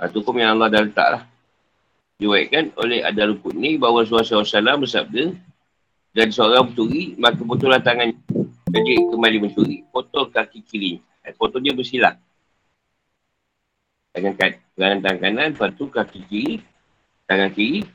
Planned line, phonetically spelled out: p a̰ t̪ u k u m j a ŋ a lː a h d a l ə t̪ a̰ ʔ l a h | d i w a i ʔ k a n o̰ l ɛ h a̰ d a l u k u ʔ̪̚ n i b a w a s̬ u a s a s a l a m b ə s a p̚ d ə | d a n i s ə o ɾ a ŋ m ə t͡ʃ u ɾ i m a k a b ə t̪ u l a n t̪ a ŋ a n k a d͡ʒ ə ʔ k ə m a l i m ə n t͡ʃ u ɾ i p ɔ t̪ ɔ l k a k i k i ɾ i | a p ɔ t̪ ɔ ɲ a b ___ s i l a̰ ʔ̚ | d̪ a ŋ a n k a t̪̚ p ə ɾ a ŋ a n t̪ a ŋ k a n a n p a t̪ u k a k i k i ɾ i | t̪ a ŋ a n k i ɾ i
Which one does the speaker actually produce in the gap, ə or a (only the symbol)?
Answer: ə